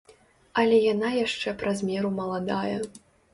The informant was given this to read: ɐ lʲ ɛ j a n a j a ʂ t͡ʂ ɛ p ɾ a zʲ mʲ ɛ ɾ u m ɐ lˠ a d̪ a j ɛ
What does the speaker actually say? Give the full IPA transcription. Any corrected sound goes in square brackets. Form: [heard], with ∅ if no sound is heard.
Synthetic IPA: ɐ lʲ ɛ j a n a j a ʂ t͡ʂ ɛ p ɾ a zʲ mʲ ɛ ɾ u m ɐ lˠ a d̪ a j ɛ